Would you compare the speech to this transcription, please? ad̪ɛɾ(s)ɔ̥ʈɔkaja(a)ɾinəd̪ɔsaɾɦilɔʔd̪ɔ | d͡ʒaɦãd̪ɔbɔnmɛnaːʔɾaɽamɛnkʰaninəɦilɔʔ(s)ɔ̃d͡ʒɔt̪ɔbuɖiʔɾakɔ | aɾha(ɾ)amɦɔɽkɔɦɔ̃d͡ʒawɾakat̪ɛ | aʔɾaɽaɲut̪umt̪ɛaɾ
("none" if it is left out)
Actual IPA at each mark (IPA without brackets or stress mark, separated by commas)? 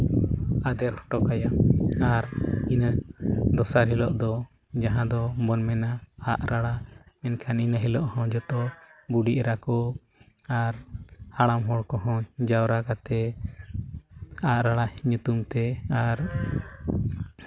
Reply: h, a, h, ɽ